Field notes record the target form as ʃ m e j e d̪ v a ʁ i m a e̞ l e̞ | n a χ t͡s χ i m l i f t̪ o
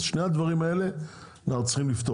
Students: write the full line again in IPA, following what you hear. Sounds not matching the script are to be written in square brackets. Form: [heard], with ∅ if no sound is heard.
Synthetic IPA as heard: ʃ [n] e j [a] d̪ v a ʁ i m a e̞ l e̞ | n a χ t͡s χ i m l i f t̪ o

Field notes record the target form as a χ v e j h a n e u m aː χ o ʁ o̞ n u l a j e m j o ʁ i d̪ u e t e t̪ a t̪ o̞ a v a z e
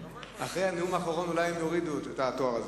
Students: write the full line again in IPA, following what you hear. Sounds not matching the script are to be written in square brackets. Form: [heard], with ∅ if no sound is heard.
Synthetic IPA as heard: a χ [ʁ] e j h a n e u m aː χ o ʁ o̞ n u l a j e m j o ʁ i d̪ u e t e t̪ a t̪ o̞ a [ʁ] a z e

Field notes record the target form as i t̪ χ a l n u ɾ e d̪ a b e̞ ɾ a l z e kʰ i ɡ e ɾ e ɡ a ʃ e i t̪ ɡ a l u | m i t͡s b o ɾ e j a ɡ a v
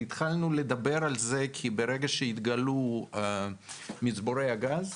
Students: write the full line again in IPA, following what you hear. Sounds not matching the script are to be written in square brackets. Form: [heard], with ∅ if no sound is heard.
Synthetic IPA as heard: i t̪ χ a l n u [l] e d̪ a b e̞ ɾ a l z e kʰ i [b] e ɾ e ɡ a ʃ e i t̪ ɡ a l u | m i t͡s b o ɾ e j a ɡ a [z]

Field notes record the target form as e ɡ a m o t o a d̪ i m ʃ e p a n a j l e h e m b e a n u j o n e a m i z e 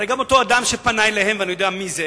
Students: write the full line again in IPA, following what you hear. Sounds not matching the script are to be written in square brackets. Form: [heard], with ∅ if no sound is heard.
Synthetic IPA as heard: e ɡ a m o t o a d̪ [a] m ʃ e p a n a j l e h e m [v] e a n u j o [d] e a m i z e

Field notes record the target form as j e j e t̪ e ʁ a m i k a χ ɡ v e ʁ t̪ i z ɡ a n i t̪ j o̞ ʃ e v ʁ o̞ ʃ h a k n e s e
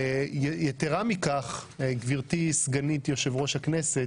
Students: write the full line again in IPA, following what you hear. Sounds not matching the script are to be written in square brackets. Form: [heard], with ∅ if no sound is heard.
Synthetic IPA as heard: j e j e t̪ e ʁ a m i k a χ ɡ v [i] ʁ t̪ i [s] ɡ a n i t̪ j o̞ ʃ e v ʁ o̞ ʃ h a k n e s e

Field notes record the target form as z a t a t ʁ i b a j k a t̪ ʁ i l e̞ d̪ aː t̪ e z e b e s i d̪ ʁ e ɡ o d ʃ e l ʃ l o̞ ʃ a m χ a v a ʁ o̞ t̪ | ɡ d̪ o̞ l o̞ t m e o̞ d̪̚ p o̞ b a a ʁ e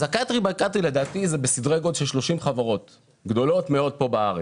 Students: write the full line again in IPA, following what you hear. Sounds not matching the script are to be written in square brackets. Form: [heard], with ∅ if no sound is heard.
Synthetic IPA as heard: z a [k] a t ʁ i b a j k a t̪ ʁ i l e̞ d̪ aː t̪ [i] z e b e s i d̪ ʁ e ɡ o d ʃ e l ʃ l o̞ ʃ [i] m χ a v a ʁ o̞ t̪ | ɡ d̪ o̞ l o̞ t m e o̞ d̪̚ p o̞ b a a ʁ e

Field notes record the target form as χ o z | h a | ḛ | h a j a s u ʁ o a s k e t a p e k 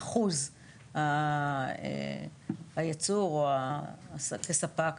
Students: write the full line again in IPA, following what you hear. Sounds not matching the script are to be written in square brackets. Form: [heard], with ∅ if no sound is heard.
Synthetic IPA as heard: χ [u] z | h a | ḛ | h a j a [t͡s] u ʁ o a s k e [s] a p [a] k

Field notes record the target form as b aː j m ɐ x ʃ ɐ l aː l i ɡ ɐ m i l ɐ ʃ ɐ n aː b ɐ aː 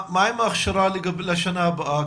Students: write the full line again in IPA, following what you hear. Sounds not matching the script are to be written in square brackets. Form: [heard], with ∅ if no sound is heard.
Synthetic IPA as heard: [m] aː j m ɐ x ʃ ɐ [ɾ] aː l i ɡ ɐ [b] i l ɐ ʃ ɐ n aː b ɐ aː

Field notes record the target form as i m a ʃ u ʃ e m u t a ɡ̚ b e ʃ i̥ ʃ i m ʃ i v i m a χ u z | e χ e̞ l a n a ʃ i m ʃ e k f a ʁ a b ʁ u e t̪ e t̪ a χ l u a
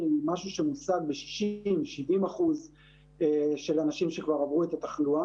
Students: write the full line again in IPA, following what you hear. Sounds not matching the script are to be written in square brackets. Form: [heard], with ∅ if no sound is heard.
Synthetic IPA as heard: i m a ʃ u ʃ e m u [s] a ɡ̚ b e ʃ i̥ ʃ i m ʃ i v i m a χ u z | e [ʃ] e̞ l a n a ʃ i m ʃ e k [v] a ʁ a [v] ʁ u e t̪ [a] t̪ a χ l u a

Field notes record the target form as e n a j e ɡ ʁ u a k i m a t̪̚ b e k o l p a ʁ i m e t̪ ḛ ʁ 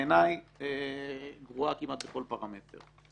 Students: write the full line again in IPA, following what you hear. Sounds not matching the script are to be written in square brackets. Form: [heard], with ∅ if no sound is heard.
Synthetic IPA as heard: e n a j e ɡ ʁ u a k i m a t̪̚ b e k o l p a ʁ [a] m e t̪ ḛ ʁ

